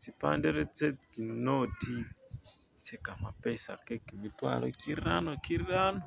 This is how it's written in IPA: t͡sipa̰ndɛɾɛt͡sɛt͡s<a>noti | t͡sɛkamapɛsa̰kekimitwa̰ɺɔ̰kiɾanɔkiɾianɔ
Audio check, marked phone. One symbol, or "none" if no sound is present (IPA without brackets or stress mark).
i